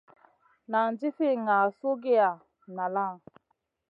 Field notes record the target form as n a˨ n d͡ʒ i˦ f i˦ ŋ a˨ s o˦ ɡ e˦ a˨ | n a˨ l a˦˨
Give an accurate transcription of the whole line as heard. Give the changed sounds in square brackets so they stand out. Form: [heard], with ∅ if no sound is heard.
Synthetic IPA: n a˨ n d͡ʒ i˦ f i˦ ŋ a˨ s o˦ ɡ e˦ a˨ | n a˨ l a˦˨